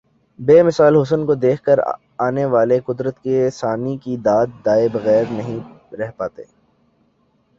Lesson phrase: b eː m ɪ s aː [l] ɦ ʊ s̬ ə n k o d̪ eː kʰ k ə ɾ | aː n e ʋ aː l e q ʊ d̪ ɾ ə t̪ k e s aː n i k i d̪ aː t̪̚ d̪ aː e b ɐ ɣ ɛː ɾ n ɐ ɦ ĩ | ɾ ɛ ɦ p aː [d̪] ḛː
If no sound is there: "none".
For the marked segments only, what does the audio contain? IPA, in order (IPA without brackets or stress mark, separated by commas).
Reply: l, t̪